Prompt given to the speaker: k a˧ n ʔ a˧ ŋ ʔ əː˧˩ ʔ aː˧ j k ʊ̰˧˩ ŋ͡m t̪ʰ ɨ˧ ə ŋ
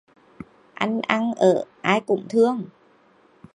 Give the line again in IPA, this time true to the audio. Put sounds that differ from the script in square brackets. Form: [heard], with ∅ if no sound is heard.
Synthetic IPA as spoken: [ʔ] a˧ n ʔ a˧ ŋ ʔ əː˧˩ ʔ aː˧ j k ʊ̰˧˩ ŋ͡m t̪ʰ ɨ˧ ə ŋ